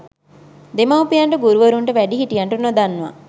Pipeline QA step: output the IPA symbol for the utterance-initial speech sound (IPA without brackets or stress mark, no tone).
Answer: d̪